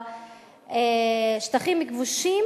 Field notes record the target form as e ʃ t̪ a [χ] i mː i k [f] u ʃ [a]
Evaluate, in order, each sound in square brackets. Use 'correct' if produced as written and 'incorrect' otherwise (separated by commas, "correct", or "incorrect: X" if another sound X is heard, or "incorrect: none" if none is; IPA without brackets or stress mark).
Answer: correct, incorrect: v, incorrect: i